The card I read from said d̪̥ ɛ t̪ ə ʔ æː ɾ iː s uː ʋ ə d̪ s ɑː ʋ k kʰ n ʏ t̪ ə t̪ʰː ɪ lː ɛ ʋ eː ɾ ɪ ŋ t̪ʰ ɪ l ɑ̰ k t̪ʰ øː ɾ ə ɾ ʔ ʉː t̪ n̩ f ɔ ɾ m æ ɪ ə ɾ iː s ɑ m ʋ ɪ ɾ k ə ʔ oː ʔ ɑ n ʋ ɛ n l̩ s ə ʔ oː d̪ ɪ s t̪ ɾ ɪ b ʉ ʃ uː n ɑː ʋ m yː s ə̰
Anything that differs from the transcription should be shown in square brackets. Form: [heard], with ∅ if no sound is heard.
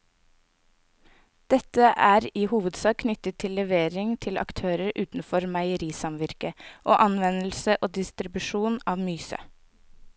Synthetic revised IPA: d̪̥ ɛ t̪ ə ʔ æː ɾ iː [h] uː ʋ ə d̪ s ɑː [∅] k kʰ n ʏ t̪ ə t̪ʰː ɪ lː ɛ ʋ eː ɾ ɪ ŋ t̪ʰ ɪ l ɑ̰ k t̪ʰ øː ɾ ə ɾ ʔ ʉː t̪ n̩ f ɔ ɾ m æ ɪ ə ɾ iː s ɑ m ʋ ɪ ɾ k ə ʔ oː ʔ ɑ n ʋ ɛ n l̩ s ə ʔ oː d̪ ɪ s t̪ ɾ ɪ b ʉ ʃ uː n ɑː ʋ m yː s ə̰